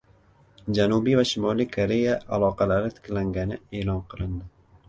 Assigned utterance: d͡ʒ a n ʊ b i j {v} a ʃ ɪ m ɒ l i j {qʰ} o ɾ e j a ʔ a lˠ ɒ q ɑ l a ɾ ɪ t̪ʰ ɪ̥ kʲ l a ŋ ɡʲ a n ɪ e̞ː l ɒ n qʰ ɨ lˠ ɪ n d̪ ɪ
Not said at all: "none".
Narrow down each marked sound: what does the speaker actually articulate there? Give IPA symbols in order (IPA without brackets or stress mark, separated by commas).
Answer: v, kʰ